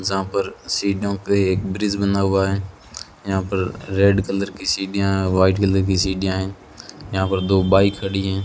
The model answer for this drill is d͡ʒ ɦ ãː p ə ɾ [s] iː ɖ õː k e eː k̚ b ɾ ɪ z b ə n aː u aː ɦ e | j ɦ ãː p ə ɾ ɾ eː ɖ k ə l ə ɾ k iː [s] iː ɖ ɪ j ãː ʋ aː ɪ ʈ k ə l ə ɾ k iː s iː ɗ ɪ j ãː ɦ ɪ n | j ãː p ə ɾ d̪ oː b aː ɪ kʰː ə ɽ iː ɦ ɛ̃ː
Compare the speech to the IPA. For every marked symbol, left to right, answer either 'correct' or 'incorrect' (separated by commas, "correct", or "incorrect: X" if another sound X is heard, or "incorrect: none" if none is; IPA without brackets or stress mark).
correct, correct